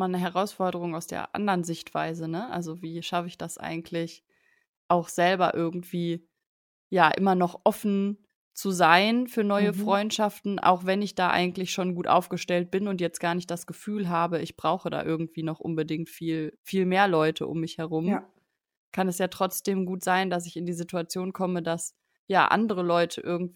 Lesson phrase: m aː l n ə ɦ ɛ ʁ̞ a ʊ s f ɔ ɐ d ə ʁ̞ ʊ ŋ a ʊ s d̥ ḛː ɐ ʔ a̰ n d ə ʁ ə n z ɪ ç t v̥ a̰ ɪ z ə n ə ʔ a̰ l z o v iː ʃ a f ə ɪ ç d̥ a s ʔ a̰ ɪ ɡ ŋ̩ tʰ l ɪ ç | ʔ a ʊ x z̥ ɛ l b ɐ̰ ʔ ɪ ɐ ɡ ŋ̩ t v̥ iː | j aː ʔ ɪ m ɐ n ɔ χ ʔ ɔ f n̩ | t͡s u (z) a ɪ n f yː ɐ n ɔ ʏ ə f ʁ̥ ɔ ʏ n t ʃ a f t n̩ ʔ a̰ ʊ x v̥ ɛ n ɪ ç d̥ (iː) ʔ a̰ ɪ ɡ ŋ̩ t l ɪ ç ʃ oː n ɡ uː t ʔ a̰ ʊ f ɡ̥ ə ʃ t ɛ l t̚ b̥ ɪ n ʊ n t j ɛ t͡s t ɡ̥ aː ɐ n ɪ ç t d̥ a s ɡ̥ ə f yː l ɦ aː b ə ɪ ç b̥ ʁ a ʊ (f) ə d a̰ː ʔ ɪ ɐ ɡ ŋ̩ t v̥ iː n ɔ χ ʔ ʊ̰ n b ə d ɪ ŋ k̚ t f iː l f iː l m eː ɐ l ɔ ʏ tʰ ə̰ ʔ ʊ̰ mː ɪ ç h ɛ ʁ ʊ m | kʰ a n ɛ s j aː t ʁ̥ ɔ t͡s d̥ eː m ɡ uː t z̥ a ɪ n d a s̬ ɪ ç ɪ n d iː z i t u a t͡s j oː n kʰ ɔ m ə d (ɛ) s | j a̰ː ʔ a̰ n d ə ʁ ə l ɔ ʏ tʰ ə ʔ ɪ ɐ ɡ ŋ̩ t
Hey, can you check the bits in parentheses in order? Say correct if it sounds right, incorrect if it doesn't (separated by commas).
correct, incorrect, incorrect, incorrect